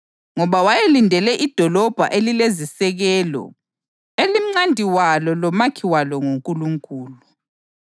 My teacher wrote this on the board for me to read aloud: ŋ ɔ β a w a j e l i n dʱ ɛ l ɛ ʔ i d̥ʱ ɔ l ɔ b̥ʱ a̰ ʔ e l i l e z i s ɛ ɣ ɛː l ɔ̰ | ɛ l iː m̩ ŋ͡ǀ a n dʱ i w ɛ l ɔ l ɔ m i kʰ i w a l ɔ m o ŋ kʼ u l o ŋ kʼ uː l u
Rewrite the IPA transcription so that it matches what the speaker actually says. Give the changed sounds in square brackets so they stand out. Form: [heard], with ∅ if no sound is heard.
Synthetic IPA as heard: ŋ ɔ β a w a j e l i n dʱ ɛ l ɛ ʔ i d̥ʱ ɔ l ɔ b̥ʱ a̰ ʔ e l i l e z i s ɛ ɣ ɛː l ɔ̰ | [e] l [i] m̩ ŋ͡ǀ a n dʱ i w [a] l ɔ l ɔ m [a] kʰ i w a l ɔ [ŋ] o ŋ kʼ u l [u] ŋ kʼ uː l u